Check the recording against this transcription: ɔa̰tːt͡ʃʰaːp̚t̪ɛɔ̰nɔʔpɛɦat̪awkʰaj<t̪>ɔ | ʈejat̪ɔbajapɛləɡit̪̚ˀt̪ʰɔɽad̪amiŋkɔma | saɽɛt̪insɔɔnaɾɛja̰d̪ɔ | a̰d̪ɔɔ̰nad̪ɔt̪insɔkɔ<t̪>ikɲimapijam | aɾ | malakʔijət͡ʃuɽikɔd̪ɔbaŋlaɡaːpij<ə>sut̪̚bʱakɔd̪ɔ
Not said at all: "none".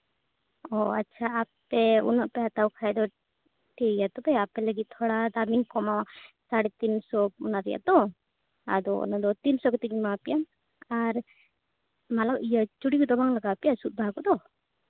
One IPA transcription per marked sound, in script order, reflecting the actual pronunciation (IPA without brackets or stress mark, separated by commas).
d̪, t̪, a